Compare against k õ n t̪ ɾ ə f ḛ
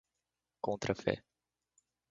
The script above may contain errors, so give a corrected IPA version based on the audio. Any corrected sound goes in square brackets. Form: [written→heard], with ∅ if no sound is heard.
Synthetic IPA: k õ n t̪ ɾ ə f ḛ